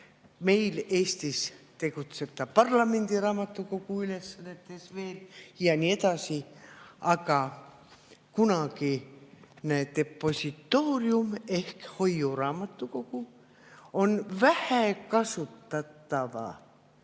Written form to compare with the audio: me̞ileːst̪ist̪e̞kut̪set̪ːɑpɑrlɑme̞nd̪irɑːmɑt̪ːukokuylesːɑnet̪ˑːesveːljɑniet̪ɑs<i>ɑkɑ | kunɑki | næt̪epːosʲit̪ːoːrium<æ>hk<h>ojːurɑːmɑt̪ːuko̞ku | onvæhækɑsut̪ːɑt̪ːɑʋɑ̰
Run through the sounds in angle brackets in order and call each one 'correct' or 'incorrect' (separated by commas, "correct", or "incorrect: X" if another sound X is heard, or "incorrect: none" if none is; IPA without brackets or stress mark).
correct, incorrect: e, correct